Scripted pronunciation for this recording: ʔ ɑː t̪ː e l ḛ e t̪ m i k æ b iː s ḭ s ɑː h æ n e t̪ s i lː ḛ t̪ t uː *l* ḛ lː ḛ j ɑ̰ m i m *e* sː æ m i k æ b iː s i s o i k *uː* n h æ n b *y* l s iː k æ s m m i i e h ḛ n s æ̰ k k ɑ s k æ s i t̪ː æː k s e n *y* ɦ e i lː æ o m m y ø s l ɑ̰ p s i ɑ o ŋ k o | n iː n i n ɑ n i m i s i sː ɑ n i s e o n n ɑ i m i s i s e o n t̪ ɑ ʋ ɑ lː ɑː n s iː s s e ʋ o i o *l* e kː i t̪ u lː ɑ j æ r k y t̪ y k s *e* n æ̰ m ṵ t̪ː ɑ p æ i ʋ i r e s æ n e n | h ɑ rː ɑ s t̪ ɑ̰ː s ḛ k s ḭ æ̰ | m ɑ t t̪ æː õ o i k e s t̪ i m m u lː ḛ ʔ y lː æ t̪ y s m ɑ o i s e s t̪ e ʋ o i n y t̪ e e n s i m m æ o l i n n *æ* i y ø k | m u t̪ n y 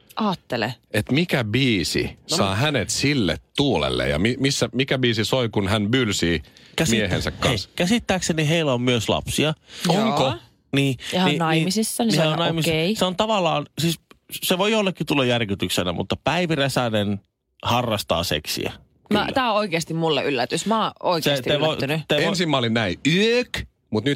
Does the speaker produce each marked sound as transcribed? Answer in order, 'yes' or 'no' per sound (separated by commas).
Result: yes, no, no, yes, no, no, yes, yes